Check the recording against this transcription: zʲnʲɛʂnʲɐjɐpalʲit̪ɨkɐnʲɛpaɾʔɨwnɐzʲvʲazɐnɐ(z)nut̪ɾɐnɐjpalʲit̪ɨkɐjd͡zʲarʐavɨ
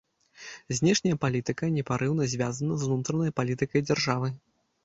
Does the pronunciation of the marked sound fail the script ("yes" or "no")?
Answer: no